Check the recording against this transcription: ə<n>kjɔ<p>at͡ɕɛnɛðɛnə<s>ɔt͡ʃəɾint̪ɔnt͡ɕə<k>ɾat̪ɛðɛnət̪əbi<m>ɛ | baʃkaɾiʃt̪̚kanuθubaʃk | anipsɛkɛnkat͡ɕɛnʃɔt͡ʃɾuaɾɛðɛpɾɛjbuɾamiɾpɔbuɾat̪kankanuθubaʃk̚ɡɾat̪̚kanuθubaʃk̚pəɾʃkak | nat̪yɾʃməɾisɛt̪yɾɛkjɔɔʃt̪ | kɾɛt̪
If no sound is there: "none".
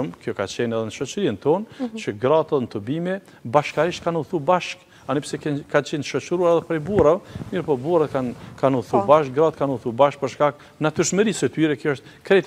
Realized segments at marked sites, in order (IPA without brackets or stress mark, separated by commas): m, k, ʃ, ɡ, m